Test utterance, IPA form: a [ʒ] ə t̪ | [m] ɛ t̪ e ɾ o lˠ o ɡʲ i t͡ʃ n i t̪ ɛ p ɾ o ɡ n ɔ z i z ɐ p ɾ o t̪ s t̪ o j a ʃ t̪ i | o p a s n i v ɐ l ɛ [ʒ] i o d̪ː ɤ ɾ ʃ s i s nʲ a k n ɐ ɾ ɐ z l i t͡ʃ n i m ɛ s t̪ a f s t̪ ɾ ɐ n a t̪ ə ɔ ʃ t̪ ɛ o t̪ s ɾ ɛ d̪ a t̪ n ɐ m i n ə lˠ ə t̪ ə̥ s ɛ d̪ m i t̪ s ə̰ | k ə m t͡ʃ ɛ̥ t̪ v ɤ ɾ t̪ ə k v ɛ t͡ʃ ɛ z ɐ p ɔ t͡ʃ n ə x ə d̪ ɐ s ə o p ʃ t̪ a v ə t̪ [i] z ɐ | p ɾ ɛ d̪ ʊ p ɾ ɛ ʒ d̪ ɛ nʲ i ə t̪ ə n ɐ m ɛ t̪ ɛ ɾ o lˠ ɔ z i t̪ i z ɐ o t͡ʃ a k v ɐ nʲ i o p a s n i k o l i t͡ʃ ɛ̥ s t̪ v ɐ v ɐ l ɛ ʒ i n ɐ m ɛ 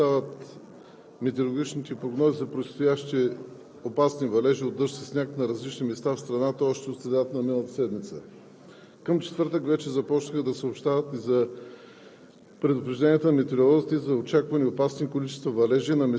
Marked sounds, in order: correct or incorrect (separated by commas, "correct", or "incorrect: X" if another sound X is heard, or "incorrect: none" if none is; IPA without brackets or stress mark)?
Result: incorrect: v, correct, correct, correct